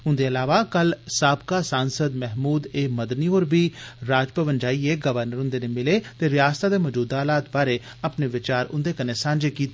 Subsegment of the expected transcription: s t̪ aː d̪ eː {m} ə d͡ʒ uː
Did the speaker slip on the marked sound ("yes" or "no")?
no